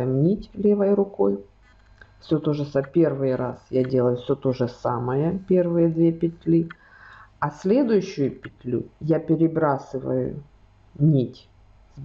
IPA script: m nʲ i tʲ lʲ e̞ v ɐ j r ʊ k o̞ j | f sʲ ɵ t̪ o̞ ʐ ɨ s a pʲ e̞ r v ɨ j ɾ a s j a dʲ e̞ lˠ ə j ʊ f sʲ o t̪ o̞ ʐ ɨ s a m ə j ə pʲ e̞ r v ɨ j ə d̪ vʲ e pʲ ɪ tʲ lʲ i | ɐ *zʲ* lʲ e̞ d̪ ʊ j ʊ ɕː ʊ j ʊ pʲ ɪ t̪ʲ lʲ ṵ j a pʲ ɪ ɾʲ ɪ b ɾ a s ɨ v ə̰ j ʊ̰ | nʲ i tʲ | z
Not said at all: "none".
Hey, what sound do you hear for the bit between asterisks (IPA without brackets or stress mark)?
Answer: sʲ